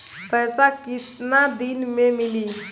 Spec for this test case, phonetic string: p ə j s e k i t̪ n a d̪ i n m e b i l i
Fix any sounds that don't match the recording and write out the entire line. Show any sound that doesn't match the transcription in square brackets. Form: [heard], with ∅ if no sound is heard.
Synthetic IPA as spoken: p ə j s [a] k i t̪ n a d̪ i n m e [m] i l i

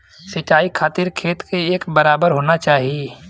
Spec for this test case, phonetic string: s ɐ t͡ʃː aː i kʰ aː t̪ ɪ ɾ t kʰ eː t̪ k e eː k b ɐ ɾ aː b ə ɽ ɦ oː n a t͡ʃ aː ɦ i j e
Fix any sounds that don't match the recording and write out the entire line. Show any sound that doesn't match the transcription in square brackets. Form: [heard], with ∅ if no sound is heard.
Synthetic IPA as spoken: s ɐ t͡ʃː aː i kʰ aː t̪ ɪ ɾ t kʰ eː t̪ k e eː k b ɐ ɾ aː b ə [ɾ] ɦ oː n a t͡ʃ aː ɦ i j e

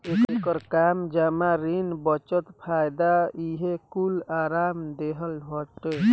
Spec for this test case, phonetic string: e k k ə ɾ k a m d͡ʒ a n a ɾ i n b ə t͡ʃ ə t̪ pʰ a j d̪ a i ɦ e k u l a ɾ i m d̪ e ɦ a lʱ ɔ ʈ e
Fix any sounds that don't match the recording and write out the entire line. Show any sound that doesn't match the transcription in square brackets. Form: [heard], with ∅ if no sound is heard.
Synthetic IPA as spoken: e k k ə ɾ k a m d͡ʒ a [m] a ɾ i n b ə t͡ʃ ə t̪ pʰ a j d̪ a i ɦ e k u l a ɾ [a] m d̪ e ɦ [ə] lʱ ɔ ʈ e

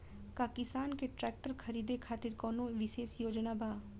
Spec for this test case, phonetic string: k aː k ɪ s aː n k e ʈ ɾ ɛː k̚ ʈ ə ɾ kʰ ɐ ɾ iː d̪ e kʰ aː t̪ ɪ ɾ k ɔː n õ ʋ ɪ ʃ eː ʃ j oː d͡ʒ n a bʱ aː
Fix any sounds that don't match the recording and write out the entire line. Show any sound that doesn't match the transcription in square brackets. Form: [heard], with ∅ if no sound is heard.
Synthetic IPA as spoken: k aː k ɪ s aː n k e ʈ ɾ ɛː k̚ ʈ ə ɾ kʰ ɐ ɾ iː d̪ e kʰ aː t̪ ɪ ɾ k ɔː n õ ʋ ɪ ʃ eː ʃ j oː d͡ʒ n a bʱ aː

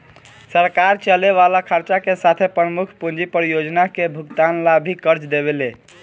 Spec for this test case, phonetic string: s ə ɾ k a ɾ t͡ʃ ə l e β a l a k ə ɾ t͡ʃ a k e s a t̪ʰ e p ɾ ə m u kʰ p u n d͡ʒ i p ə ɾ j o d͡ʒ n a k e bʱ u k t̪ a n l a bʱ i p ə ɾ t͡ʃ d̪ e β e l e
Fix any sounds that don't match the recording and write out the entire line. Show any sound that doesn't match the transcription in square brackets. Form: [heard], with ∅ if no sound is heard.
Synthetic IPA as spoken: s ə ɾ k a ɾ t͡ʃ ə l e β a l a [kʰ] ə ɾ t͡ʃ a k e s a t̪ʰ e p ɾ ə m u kʰ p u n d͡ʒ i p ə ɾ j o d͡ʒ n a k e bʱ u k t̪ a n l a bʱ i [k] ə ɾ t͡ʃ d̪ e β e l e

